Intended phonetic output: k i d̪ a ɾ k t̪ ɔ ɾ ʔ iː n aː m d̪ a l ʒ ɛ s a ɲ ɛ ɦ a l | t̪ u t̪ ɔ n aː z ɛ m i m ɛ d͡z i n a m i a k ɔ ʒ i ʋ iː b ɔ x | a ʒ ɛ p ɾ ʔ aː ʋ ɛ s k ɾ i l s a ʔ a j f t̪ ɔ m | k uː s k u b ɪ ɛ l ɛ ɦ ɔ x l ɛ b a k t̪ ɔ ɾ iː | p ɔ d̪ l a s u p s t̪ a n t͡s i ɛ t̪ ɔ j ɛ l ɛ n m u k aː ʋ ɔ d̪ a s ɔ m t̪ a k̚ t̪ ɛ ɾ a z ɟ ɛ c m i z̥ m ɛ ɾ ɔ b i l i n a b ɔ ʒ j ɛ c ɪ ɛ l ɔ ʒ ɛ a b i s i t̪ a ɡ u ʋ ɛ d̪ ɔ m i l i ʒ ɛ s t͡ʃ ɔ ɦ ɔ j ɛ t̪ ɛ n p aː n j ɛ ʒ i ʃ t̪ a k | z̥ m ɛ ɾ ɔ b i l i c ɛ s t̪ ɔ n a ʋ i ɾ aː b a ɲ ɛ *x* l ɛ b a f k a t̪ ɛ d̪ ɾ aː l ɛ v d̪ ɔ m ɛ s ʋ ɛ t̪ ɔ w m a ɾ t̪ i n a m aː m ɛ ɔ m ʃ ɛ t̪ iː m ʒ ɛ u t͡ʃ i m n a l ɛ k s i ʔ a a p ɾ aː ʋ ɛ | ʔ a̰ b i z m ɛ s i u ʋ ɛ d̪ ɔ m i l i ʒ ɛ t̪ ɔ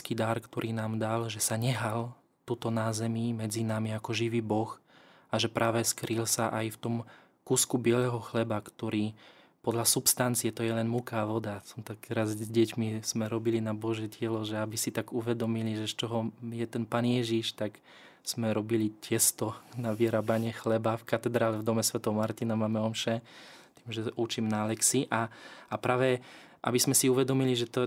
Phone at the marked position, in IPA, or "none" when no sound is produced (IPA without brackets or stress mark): x